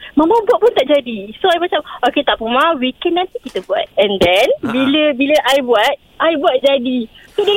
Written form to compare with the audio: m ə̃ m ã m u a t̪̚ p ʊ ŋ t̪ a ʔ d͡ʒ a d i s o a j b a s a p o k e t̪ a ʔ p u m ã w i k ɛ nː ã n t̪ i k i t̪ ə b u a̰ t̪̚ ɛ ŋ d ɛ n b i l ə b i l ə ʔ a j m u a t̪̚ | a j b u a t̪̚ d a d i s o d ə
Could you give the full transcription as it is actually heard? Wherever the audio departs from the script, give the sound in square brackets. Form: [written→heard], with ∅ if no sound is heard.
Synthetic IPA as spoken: m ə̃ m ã [m→b] u a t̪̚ p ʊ [ŋ→n] t̪ a ʔ d͡ʒ a d i s o a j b a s a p o k e t̪ a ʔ p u m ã w i k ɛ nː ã n t̪ i k i t̪ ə b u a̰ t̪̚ ɛ [ŋ→n] d ɛ n b i l ə b i l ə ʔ a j [m→b] u a t̪̚ | a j b u a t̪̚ [d→d͡ʒ] a d i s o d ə